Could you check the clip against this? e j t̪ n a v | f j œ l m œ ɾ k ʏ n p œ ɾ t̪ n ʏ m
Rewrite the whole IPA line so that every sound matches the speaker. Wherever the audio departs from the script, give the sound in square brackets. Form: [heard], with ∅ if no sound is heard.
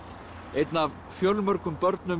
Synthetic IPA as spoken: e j t̪ n a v | f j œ l m œ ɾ k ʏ [m] p œ ɾ t̪ n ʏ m